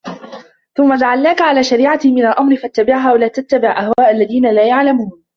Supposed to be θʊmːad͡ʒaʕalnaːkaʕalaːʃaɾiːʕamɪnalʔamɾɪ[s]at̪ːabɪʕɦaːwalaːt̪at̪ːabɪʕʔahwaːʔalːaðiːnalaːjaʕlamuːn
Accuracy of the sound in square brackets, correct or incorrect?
incorrect